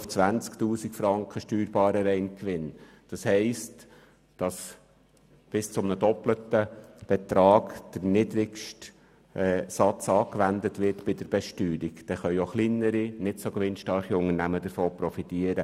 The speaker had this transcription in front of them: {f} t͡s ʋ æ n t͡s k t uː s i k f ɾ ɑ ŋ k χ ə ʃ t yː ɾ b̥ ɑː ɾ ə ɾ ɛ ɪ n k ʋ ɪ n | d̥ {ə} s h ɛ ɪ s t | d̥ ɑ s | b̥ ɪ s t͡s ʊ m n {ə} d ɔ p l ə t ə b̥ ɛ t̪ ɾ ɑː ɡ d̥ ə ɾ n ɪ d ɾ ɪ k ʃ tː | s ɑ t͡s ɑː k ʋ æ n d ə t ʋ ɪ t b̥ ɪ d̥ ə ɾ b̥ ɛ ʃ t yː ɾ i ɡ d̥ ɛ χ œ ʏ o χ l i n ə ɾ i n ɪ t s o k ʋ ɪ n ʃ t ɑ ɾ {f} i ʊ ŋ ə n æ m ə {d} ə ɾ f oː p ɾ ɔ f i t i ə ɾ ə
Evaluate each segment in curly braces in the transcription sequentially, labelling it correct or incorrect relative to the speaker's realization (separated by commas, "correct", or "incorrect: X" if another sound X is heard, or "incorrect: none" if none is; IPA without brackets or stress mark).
correct, incorrect: ɑ, correct, incorrect: χ, correct